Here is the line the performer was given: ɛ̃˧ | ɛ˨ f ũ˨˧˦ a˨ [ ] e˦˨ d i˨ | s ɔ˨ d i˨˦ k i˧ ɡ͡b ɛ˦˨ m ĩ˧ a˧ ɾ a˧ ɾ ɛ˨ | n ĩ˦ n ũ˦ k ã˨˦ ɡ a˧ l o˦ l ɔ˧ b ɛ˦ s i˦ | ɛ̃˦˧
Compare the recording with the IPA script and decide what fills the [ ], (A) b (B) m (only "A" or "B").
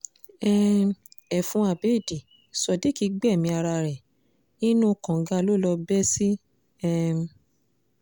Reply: A